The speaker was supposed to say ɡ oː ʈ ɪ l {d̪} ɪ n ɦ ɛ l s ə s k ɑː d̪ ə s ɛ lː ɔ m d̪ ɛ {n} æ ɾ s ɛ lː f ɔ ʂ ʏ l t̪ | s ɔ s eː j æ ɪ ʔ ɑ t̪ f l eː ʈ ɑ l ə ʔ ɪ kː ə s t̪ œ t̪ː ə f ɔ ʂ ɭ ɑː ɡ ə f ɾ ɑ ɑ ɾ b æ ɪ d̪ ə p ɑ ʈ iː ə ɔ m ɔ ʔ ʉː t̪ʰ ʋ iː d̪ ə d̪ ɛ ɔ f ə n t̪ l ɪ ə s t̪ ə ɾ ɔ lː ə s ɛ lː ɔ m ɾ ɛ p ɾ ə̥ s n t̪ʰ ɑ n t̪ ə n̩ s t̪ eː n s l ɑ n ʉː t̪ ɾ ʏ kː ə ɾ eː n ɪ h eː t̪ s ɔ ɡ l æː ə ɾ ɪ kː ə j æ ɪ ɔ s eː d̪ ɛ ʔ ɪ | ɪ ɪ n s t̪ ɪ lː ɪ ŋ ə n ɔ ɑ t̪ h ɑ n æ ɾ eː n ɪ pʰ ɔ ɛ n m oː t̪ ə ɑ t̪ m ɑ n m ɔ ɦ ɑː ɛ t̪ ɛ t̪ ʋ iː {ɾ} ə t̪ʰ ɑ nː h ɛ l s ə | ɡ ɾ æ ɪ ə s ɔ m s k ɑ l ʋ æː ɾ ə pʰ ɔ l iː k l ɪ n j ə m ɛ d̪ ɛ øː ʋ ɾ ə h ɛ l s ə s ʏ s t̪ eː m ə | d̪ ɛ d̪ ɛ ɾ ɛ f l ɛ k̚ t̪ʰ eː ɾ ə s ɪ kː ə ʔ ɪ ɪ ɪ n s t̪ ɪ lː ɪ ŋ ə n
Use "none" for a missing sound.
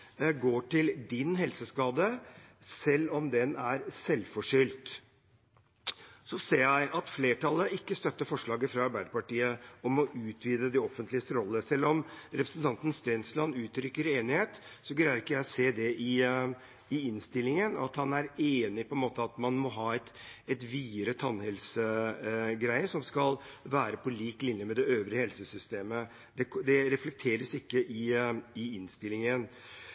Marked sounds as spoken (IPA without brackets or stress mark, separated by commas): d̪, n, ɾ